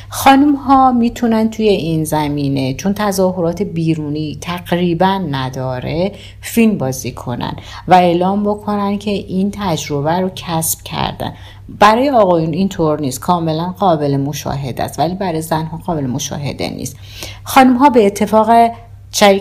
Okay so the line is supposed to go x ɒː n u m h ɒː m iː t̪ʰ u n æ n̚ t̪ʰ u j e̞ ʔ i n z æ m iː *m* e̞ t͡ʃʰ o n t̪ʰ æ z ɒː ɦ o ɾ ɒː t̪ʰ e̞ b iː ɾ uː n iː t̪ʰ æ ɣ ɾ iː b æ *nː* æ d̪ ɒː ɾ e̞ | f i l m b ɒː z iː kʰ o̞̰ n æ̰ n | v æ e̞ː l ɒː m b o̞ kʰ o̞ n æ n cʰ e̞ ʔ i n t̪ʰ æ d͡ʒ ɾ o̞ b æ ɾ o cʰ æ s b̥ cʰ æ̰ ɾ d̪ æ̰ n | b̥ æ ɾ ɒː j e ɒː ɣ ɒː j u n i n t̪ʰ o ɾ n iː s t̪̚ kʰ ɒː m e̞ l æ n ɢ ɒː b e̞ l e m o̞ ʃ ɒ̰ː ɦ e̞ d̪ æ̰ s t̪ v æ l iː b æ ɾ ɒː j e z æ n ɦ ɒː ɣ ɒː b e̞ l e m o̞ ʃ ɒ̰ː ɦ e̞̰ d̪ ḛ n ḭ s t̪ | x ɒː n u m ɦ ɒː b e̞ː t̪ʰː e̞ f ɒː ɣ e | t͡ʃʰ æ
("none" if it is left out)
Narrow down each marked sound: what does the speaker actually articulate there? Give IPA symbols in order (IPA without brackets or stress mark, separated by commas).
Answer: n, nː